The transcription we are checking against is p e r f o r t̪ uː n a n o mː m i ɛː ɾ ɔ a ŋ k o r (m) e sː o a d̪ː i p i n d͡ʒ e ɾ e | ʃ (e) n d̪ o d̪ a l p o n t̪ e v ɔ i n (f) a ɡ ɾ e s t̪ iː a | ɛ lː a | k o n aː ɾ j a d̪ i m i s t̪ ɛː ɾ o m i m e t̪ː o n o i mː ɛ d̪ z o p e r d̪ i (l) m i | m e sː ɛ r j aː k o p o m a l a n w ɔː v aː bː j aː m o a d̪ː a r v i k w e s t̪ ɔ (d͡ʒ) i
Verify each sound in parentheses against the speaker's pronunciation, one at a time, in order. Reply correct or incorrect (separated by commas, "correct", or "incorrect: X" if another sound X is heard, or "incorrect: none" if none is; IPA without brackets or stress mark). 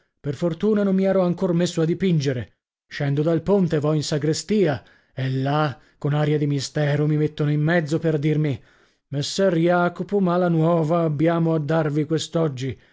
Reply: correct, incorrect: ɛ, incorrect: s, incorrect: r, incorrect: d͡ʒː